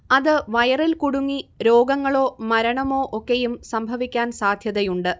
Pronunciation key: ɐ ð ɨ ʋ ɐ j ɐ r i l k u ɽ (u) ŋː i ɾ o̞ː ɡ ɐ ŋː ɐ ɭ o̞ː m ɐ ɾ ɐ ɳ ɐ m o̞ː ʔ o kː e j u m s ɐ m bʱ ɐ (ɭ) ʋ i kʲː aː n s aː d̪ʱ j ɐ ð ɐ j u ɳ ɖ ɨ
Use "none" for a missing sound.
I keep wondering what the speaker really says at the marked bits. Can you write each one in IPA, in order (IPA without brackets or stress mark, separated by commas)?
u, none